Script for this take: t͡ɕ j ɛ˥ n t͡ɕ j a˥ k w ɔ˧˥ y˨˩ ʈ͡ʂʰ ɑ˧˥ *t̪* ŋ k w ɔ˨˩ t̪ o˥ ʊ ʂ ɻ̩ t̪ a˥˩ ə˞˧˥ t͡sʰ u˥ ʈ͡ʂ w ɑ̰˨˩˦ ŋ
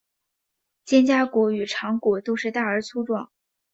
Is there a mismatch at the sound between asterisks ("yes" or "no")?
yes